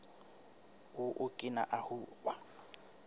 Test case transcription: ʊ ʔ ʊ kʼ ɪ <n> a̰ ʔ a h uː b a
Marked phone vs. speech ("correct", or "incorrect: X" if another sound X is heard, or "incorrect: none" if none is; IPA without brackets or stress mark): correct